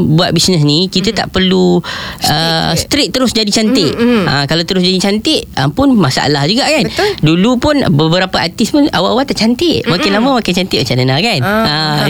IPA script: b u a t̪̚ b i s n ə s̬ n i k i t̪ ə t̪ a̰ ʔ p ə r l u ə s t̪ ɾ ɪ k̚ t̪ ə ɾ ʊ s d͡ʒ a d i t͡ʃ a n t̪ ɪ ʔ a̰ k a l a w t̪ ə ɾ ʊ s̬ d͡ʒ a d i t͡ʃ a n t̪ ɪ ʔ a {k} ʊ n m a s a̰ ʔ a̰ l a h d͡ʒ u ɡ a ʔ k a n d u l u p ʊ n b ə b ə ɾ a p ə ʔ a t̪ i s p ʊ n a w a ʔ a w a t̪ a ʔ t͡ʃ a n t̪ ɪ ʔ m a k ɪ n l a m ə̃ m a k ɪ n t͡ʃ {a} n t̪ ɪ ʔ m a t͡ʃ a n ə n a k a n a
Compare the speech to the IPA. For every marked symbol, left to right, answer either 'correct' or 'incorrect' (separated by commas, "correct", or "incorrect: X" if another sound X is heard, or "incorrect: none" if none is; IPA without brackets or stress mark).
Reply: incorrect: p, correct